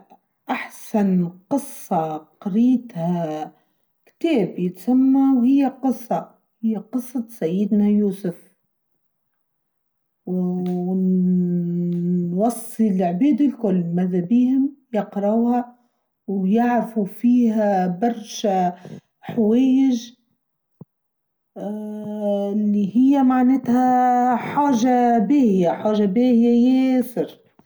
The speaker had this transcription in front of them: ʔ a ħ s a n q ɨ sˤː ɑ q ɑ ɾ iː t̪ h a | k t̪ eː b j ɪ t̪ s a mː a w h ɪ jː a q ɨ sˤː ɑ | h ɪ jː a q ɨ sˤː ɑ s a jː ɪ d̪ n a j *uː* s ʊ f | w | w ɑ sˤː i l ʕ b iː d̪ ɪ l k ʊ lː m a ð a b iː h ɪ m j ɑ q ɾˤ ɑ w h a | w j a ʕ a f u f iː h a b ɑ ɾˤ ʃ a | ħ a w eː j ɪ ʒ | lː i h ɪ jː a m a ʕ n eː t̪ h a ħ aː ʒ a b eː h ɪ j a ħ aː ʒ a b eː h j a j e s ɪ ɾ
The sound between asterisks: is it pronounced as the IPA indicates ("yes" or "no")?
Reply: yes